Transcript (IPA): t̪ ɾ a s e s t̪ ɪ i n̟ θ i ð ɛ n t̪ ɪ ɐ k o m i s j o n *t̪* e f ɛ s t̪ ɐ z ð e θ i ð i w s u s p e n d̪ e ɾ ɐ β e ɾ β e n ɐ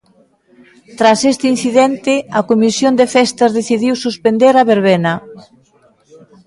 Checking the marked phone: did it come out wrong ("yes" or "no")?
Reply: yes